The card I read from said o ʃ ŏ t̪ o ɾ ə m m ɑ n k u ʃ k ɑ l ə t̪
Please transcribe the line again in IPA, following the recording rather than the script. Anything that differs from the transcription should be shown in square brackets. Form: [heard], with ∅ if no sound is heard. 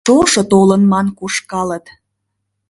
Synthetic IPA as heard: o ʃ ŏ t̪ o [l] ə [n] m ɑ n k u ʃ k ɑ l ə t̪

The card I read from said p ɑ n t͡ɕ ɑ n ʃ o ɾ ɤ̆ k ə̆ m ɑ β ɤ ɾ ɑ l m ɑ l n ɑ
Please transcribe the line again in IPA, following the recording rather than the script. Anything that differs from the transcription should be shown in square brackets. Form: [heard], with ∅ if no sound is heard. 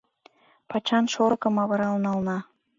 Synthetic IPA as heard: p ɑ [∅] t͡ɕ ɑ n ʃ o ɾ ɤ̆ k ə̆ m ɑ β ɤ ɾ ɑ l [n] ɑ l n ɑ

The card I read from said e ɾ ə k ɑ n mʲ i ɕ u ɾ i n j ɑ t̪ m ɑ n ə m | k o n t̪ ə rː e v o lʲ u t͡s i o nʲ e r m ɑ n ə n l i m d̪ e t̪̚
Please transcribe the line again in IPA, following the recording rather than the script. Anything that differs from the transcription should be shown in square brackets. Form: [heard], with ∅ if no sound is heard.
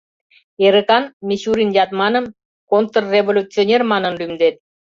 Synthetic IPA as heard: e ɾ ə k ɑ n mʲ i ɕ u ɾ i n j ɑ t̪ m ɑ n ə m | k o n t̪ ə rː e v o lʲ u t͡s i o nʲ e r m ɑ n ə n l [y] m d̪ e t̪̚

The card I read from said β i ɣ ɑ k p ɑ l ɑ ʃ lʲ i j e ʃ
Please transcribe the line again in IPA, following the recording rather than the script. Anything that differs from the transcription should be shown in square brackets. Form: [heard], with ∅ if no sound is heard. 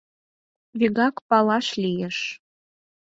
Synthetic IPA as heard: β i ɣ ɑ k p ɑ l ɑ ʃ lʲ i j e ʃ

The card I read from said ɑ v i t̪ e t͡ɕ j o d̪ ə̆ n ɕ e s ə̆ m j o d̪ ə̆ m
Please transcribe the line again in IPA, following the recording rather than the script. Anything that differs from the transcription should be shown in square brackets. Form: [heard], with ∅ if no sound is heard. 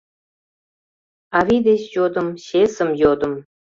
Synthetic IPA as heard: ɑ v i [d̪] e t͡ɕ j o d̪ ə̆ [m] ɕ e s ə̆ m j o d̪ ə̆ m

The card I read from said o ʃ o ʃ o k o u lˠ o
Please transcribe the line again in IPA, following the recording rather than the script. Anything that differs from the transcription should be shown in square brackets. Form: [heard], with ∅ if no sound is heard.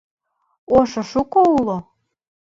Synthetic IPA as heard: o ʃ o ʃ [u] k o u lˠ o

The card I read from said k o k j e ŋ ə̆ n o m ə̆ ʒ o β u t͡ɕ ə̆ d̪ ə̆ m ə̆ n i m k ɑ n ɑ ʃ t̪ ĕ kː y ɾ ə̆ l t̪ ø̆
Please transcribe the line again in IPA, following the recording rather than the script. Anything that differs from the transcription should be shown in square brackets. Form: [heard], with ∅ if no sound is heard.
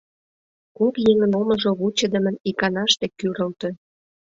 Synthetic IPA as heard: k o k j e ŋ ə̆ n o m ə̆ ʒ o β u t͡ɕ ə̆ d̪ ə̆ m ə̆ n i [∅] k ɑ n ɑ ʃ t̪ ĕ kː y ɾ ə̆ l t̪ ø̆

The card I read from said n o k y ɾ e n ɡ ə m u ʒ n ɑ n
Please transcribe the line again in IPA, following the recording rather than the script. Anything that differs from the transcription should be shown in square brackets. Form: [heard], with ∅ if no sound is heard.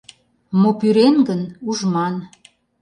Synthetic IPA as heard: [m] o [p] y ɾ e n ɡ ə [n] u ʒ [m] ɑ n

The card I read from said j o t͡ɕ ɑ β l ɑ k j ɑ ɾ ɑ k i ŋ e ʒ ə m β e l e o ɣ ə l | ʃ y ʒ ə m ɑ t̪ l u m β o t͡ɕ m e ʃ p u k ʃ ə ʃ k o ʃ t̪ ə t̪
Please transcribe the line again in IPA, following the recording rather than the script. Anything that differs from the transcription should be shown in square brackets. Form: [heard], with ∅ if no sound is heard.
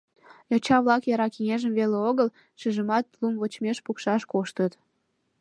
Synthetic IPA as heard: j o t͡ɕ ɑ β l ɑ k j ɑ ɾ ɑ k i ŋ e ʒ ə m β e l e o ɣ ə l | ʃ y ʒ ə m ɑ t̪ l u m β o t͡ɕ m e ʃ p u k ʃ [ɑ] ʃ k o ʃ t̪ ə t̪

